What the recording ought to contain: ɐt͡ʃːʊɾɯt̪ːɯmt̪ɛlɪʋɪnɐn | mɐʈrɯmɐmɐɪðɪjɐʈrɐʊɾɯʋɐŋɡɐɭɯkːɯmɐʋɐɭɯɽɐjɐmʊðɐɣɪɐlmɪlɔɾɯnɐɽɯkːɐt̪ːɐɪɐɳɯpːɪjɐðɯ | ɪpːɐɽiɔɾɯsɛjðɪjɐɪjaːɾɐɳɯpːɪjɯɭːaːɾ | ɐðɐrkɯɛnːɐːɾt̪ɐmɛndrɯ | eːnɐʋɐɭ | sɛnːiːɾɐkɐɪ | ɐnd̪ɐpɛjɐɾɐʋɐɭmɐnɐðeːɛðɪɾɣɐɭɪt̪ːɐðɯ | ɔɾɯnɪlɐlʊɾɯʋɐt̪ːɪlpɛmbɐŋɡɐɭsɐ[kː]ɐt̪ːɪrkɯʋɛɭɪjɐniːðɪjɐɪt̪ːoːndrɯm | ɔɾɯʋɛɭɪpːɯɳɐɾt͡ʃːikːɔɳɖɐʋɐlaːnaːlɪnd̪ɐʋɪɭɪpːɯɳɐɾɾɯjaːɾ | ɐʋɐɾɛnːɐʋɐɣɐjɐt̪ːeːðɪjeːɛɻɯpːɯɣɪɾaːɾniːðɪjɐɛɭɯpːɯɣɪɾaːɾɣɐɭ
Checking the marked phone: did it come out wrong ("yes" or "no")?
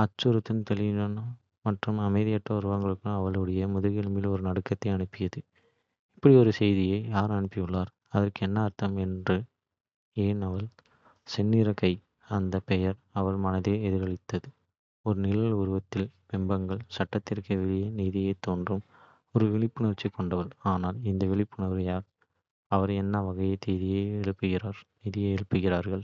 yes